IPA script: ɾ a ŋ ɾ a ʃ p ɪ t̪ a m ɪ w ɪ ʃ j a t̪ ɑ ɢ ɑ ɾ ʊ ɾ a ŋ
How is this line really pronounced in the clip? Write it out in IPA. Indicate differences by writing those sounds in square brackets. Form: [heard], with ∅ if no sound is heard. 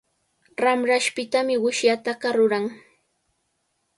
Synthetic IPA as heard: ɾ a [m] ɾ a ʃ p ɪ t̪ a m ɪ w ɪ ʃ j a t̪ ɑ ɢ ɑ ɾ ʊ ɾ a ŋ